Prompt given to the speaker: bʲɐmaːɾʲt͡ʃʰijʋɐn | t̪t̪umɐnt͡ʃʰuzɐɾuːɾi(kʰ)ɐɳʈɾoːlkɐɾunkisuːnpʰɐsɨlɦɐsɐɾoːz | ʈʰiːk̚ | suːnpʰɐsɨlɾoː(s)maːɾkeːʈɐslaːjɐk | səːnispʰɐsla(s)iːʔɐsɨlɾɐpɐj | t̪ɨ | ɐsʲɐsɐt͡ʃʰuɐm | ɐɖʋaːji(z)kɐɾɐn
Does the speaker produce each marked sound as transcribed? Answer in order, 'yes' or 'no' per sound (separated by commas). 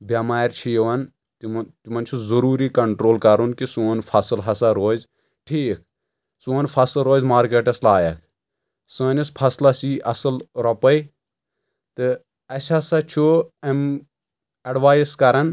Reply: no, no, yes, no